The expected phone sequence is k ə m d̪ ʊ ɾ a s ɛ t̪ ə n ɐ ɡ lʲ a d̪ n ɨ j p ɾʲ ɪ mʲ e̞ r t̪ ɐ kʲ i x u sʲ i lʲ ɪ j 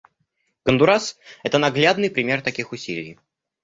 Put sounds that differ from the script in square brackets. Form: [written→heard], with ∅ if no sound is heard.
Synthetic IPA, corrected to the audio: k ə [m→n] d̪ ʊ ɾ a s ɛ t̪ ə n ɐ ɡ lʲ a d̪ n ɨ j p ɾʲ ɪ mʲ e̞ r t̪ ɐ kʲ i x [u→ʊ] sʲ i lʲ ɪ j

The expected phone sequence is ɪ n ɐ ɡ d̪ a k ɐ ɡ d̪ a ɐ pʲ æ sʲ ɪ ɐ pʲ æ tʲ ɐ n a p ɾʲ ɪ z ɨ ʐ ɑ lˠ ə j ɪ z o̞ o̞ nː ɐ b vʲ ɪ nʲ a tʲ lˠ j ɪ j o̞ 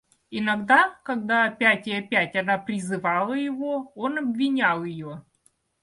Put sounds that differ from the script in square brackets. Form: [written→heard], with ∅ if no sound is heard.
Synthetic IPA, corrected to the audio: ɪ n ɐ ɡ d̪ a k ɐ ɡ d̪ a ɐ pʲ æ [sʲ→tʲ] ɪ ɐ pʲ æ tʲ ɐ n a p ɾʲ ɪ z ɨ [ʐ→v] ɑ lˠ ə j ɪ [z→v] o̞ o̞ [nː→n] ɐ b vʲ ɪ nʲ a [tʲ→∅] lˠ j ɪ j o̞

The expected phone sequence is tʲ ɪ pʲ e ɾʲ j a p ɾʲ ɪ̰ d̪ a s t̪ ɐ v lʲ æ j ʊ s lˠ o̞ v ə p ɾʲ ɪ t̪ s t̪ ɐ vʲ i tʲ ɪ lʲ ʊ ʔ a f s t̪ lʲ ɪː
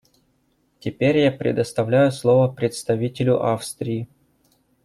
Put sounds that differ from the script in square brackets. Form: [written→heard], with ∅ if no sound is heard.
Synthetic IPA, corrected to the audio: tʲ ɪ pʲ e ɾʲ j a p ɾʲ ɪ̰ d̪ [a→ə] s t̪ ɐ v lʲ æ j ʊ s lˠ o̞ v ə p ɾʲ ɪ t̪ s t̪ ɐ vʲ i tʲ ɪ lʲ ʊ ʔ a f s t̪ [lʲ→ɾʲ] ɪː

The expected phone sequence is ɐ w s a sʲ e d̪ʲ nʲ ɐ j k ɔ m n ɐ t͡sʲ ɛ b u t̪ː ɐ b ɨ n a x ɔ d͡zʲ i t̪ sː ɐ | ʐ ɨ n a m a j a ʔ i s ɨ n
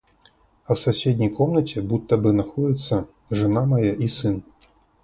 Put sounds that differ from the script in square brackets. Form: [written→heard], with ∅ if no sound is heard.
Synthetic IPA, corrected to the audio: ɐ w s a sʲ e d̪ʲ nʲ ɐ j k ɔ m n ɐ t͡sʲ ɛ b u t̪ː ɐ b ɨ n a x ɔ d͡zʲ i t̪ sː ɐ | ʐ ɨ n a m a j a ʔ i s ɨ n

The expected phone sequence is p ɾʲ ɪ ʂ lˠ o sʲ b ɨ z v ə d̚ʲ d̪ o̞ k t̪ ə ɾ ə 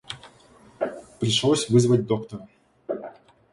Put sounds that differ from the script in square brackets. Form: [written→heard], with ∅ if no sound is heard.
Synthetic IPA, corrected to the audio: p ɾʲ ɪ ʂ lˠ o sʲ [b→v] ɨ z v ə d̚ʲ d̪ o̞ k t̪ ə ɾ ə

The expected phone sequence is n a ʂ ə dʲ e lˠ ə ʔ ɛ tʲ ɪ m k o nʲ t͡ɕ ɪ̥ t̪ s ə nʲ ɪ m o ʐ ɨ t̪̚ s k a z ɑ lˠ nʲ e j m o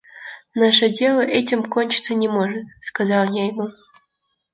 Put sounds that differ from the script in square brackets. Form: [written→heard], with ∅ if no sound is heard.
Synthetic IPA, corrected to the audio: n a ʂ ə dʲ e lˠ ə ʔ ɛ tʲ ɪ m k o nʲ t͡ɕ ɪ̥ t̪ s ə nʲ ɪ m o ʐ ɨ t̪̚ s k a z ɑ lˠ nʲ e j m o

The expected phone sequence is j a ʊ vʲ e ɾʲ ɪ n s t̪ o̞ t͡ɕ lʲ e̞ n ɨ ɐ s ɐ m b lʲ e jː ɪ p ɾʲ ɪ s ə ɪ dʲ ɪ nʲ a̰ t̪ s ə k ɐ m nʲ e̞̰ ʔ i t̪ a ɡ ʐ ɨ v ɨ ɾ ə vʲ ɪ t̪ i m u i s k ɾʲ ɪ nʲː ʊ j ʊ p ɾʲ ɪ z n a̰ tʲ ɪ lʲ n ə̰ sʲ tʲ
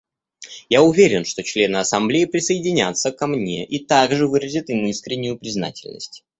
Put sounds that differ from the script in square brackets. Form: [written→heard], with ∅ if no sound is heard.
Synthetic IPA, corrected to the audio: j a ʊ vʲ e ɾʲ ɪ n [s→ʂ] t̪ o̞ t͡ɕ lʲ e̞ n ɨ ɐ s ɐ m b lʲ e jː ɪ p ɾʲ ɪ s ə ɪ dʲ ɪ nʲ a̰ t̪ s ə k ɐ m nʲ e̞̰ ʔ i t̪ a ɡ ʐ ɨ v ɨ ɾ ə [vʲ→zʲ] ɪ t̪ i m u i s k ɾʲ ɪ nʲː ʊ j ʊ p ɾʲ ɪ z n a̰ tʲ ɪ lʲ n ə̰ sʲ tʲ

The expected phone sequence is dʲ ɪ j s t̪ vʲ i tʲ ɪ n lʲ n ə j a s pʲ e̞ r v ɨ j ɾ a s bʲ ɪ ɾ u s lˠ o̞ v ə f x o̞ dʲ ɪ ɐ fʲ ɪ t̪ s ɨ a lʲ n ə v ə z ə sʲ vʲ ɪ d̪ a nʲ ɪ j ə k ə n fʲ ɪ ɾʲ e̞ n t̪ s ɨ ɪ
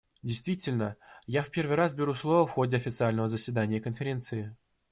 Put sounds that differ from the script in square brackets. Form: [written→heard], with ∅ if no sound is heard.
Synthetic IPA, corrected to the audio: dʲ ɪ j s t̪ vʲ i tʲ ɪ [n→∅] lʲ n ə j a [s→f] pʲ e̞ r v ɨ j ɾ a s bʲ ɪ ɾ u s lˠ o̞ v ə f x o̞ dʲ ɪ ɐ fʲ ɪ t̪ s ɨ a lʲ n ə v ə z ə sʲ vʲ ɪ d̪ a nʲ ɪ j ə k ə n fʲ ɪ ɾʲ e̞ n t̪ s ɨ ɪ

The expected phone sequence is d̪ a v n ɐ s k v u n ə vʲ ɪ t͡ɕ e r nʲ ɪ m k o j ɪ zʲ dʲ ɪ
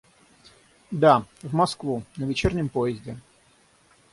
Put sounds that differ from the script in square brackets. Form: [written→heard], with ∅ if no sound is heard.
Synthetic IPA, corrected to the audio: d̪ a v [n→m] ɐ s k v u n ə vʲ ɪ t͡ɕ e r nʲ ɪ m [k→p] o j ɪ zʲ dʲ ɪ

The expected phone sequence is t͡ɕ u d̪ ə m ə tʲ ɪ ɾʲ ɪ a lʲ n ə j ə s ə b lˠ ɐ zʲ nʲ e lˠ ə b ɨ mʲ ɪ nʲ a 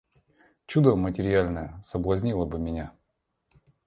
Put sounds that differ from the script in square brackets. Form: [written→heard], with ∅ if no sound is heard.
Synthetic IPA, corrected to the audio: t͡ɕ u d̪ ə m ə tʲ ɪ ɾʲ ɪ a lʲ n ə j ə s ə b lˠ ɐ zʲ nʲ [e→i] lˠ ə b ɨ mʲ ɪ nʲ a

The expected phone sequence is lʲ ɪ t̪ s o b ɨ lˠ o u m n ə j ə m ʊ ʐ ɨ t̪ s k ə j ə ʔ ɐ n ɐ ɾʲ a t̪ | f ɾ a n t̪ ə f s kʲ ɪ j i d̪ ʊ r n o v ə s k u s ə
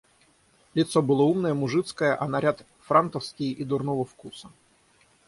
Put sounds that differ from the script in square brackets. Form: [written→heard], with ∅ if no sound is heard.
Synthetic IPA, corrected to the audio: lʲ ɪ t̪ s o b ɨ lˠ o u m n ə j ə m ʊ ʐ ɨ t̪ s k ə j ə ʔ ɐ n ɐ ɾʲ a t̪ | f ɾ a n t̪ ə f s kʲ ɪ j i d̪ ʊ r n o v ə [s→f] k u s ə

